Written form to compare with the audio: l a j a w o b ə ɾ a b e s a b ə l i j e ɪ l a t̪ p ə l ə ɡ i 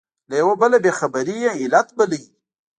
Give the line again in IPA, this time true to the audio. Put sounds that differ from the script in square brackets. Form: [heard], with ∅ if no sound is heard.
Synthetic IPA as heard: l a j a w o b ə [l] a b e [x] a b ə [ɾ] i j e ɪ l a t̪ [b] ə l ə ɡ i